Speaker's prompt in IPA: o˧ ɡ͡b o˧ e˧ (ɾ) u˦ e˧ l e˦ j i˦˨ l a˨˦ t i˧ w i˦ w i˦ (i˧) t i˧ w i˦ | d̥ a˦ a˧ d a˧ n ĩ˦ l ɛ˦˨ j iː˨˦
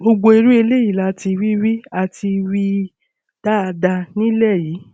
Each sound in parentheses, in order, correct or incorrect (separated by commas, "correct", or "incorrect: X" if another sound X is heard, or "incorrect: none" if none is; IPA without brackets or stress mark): correct, incorrect: a˧